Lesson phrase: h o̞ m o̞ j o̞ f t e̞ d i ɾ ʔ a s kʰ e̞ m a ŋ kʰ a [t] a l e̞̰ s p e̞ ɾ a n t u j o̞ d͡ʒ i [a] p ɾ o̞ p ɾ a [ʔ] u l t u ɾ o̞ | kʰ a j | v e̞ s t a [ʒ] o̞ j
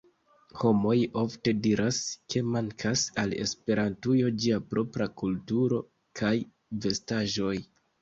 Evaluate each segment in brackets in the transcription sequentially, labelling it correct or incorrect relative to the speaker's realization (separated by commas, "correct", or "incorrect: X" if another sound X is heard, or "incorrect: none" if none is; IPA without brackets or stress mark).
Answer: incorrect: s, correct, incorrect: k, correct